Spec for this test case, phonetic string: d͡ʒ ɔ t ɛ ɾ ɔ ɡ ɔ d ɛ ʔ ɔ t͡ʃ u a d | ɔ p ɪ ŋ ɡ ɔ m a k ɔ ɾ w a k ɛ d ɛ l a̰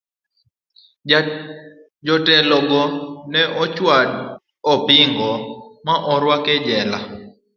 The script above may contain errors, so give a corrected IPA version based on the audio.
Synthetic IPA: d͡ʒ ɔ t ɛ l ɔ ɡ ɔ n ɛ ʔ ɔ t͡ʃ w a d | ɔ p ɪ ŋ ɡ ɔ m a ʔ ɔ ɾ w a k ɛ d͡ʒ ɛ l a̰

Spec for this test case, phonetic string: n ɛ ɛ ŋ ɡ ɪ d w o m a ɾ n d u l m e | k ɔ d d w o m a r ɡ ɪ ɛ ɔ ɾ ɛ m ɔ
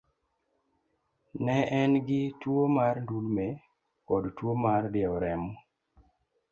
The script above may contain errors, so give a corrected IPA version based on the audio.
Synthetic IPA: n ɛ ɛ n ɡ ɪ t w o m a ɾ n d u l m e | k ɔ d t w o m a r d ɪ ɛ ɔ ɾ ɛ m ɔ

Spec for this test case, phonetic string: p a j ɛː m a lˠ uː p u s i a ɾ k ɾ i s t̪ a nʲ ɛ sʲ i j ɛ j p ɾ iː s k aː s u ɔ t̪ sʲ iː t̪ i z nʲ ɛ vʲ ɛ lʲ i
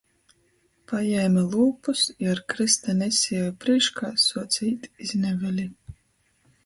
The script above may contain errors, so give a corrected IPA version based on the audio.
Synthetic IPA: p a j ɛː m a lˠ uː p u s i a ɾ k ɾ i s t̪ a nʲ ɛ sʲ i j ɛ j p ɾ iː ʃ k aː s u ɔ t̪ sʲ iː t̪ i z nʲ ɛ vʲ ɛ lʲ i

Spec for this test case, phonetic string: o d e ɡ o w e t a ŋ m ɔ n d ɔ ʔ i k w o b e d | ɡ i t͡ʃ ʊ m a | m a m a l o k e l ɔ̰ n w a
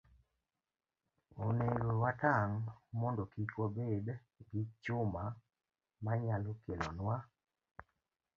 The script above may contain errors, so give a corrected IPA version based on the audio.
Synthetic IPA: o n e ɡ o w a t a ŋ m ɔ n d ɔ k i k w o b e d | ɡ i t͡ʃ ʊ m a | m a ɲ a l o k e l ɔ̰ n w a

